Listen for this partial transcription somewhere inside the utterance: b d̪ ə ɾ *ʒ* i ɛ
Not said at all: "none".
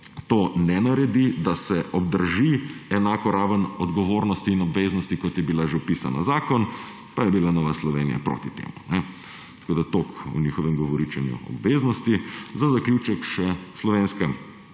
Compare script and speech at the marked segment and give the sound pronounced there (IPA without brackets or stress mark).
ʒ